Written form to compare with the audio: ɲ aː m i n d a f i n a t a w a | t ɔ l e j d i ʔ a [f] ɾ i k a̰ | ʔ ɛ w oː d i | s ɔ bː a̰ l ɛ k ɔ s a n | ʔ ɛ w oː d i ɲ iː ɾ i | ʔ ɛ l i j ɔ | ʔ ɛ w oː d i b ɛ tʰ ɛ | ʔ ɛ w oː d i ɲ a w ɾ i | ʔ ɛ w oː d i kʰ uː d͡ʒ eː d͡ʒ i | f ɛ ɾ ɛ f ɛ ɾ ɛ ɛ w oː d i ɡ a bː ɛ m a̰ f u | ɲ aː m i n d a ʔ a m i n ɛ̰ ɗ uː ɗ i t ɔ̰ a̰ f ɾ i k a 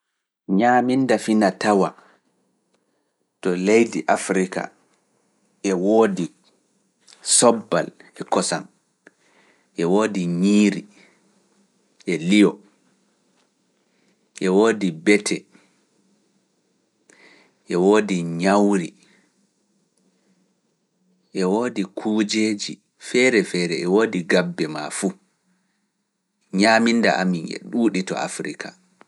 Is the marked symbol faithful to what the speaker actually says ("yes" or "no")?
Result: yes